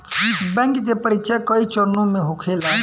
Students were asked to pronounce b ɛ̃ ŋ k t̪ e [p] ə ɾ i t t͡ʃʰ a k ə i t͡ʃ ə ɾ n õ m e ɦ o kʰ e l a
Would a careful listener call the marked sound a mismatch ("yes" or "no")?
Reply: no